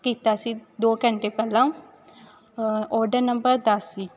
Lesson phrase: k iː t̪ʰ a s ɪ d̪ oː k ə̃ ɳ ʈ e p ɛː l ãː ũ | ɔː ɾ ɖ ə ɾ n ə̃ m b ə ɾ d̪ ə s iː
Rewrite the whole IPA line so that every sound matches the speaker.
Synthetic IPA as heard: k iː t̪ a s i d̪ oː k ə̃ ɳ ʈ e p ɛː l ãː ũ | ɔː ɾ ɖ ə ɾ n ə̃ m b ə ɾ d̪ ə s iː

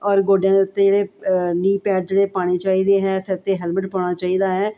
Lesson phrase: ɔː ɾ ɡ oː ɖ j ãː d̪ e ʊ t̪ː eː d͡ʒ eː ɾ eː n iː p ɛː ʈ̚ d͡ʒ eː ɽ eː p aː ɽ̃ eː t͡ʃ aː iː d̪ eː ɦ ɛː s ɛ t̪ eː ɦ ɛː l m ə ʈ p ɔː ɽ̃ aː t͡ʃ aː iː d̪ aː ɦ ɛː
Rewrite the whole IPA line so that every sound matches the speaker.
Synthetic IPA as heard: ɔː ɾ ɡ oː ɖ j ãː d̪ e ʊ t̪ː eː d͡ʒ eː ɽ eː n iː p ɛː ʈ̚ d͡ʒ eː ɽ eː p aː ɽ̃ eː t͡ʃ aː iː d̪ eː ɦ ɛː s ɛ t̪ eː ɦ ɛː l m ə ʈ p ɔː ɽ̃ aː t͡ʃ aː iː d̪ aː ɦ ɛː

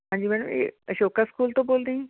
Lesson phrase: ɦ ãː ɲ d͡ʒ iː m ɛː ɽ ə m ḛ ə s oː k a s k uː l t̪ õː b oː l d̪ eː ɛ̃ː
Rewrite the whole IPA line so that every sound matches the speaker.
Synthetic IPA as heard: ɦ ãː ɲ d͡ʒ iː m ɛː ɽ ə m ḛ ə ʃ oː k a s k uː l t̪ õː b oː l d̪ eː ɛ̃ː

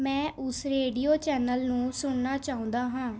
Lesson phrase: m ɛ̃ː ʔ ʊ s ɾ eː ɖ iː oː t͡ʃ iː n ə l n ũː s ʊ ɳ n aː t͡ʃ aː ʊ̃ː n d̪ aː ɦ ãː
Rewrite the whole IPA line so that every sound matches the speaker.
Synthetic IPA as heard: m ɛ̃ː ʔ ʊ s ɾ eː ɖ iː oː t͡ʃ ɛː n ə l n ũː s ʊ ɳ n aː t͡ʃ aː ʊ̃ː n d̪ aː ɦ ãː

